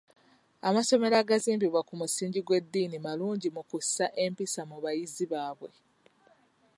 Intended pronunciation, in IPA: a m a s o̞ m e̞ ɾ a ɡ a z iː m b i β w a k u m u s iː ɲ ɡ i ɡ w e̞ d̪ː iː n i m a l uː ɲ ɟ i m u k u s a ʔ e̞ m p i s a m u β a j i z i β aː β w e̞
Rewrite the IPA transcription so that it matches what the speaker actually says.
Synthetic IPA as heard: a m a s o̞ m e̞ ɾ a ɡ a z iː m b i β w a k u m u s iː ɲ ɟ i ɡ w e̞ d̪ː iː n i m a l uː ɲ ɟ i m u k u s a ʔ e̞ m p i s a m u β a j i z i β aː β w e̞